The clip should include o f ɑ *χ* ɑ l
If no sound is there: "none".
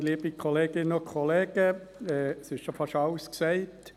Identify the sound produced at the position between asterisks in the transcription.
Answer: ʃ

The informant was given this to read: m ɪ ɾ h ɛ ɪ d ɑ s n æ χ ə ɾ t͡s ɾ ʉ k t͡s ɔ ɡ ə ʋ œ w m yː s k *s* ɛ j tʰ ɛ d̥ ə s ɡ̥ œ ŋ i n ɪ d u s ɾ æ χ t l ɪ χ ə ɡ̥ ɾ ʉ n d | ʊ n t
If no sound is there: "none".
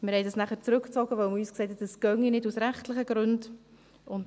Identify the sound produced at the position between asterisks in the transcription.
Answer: s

